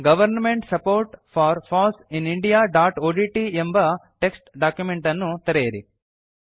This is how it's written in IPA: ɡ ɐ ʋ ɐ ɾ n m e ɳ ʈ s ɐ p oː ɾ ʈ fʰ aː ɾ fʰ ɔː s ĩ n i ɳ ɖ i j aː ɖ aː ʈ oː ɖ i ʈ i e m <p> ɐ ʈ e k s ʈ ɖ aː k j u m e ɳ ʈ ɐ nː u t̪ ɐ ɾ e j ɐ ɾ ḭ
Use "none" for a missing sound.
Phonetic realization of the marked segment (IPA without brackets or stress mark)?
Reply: b